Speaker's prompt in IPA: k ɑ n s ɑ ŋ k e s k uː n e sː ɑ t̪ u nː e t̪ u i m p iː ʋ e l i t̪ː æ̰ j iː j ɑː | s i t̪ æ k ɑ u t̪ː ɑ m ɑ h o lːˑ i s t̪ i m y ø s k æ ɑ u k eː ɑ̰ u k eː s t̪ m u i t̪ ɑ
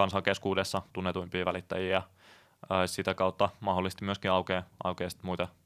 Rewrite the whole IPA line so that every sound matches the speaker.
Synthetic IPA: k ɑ n s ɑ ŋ k e s k uː d e sː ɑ t̪ u nː e t̪ u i m p iː ʋ æ l i t̪ː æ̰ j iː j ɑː | s i t̪ æ k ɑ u t̪ː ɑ m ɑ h o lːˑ i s t̪ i m y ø s k i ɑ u k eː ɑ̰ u k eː s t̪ m u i t̪ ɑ